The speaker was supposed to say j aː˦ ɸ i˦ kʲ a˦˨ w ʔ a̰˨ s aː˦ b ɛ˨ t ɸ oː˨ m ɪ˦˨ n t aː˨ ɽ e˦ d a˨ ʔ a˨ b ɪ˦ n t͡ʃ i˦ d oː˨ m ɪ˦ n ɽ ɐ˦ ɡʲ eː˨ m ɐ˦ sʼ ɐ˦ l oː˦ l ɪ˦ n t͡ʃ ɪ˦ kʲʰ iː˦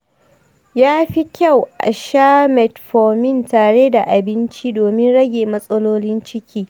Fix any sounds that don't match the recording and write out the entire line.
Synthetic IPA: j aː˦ ɸ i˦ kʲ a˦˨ w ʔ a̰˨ ʃ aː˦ m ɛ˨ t ɸ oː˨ m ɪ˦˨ n t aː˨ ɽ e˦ d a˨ ʔ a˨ b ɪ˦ n t͡ʃ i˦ d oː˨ m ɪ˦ n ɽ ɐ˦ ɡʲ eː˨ m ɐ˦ sʼ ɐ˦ l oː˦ l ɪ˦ n t͡ʃ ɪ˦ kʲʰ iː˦

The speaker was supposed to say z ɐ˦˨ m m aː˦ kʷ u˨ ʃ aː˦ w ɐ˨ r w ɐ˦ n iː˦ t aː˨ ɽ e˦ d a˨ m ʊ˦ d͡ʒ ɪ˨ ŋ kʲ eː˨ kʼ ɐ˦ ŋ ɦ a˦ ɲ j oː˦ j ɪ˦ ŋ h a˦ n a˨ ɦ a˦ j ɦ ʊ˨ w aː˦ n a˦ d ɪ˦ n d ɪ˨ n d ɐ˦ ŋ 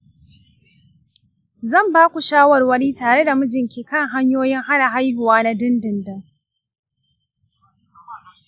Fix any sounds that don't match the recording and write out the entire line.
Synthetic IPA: z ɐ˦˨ m b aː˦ kʷ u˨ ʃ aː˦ w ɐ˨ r w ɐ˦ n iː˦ t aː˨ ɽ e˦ d a˨ m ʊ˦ d͡ʒ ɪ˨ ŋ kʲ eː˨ k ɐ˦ ŋ ɦ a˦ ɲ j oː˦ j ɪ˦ ŋ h a˦ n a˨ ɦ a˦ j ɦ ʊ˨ w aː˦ n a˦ d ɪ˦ n d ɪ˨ n d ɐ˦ ŋ

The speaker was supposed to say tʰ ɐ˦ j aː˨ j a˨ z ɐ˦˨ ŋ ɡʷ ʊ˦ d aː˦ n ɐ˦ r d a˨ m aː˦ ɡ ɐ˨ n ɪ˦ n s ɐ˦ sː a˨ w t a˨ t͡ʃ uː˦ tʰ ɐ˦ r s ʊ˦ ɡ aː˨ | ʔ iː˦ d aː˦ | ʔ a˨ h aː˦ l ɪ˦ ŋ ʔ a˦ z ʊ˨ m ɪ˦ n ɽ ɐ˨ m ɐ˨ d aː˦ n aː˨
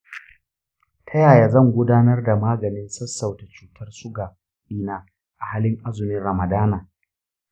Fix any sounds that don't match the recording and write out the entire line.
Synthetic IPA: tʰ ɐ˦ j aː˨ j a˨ z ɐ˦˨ ŋ ɡʷ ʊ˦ d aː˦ n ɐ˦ r d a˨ m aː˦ ɡ ɐ˨ n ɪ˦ n s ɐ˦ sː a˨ w t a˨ t͡ʃ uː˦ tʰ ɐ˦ r s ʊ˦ ɡ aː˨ | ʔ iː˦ n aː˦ | ʔ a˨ h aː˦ l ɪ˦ ŋ ʔ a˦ z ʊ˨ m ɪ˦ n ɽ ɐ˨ m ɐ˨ d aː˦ n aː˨

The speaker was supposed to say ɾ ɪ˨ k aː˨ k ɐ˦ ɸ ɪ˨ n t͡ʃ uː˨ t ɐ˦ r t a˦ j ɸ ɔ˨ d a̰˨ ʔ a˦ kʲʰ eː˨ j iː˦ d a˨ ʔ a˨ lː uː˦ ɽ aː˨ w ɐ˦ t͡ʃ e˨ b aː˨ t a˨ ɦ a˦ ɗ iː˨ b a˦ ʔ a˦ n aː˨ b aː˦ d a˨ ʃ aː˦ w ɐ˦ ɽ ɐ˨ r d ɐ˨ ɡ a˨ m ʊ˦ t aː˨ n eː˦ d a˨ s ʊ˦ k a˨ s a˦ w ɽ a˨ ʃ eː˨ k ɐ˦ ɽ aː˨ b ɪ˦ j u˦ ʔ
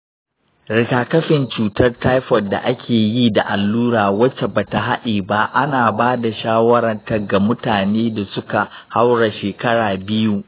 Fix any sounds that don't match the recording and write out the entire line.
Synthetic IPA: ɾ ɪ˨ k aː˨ k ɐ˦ ɸ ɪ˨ n t͡ʃ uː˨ t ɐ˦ r t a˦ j ɸ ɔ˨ d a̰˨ ʔ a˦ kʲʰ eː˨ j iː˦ d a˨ ʔ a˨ lː uː˦ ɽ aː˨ w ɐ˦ t͡ʃ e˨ b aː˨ t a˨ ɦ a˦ ɗ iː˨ b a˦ ʔ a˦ n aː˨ b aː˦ d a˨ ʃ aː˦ w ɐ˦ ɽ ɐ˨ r t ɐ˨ ɡ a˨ m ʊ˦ t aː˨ n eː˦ d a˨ s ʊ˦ k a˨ h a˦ w ɽ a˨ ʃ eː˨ k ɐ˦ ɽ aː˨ b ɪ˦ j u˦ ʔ

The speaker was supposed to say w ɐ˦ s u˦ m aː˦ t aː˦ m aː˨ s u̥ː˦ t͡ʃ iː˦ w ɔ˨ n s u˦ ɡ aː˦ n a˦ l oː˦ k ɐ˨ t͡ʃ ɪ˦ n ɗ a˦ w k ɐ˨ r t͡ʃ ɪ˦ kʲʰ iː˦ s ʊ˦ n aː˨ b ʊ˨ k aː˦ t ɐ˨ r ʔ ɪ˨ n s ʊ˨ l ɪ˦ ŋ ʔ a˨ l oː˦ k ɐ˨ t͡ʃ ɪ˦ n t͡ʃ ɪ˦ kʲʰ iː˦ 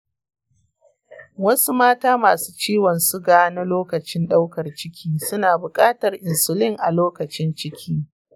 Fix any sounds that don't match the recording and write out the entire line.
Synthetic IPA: w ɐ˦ s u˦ m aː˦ t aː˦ m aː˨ s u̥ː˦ t͡ʃ iː˦ w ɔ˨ n s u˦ ɡ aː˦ n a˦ l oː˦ k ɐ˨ t͡ʃ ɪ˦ n ɗ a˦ w k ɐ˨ r t͡ʃ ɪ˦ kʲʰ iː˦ s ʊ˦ n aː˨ b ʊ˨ kʼ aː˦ t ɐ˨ r ʔ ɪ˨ n s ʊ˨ l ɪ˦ ŋ ʔ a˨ l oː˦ k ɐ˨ t͡ʃ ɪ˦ n t͡ʃ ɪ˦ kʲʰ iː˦

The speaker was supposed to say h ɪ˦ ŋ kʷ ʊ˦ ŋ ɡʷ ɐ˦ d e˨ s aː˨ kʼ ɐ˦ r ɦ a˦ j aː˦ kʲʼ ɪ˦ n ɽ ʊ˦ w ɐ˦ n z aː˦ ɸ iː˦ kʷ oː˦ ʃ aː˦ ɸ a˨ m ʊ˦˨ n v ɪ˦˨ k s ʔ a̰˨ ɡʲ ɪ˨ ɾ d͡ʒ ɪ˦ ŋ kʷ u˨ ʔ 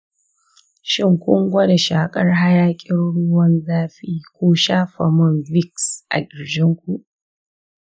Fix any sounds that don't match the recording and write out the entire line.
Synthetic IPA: ʃ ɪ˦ ŋ kʷ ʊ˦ ŋ ɡʷ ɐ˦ d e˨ ʃ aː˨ kʼ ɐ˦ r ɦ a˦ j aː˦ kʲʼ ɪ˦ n ɽ ʊ˦ w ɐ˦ n z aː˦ ɸ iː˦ kʷ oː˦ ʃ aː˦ ɸ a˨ m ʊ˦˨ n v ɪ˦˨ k s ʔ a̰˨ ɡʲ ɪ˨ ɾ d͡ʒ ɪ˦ ŋ kʷ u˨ ʔ

